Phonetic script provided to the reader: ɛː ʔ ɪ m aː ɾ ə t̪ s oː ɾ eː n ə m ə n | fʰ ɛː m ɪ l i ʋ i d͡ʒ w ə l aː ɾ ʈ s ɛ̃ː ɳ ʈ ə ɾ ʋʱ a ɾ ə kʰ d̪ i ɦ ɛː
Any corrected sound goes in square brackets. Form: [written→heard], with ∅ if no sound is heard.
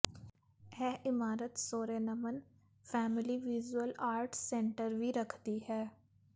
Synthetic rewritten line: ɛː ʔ ɪ m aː ɾ ə t̪ s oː ɾ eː n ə m ə n | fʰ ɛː m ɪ l i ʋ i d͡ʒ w ə l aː ɾ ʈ s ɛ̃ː ɳ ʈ ə ɾ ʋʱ [a→i] ɾ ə kʰ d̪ i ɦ ɛː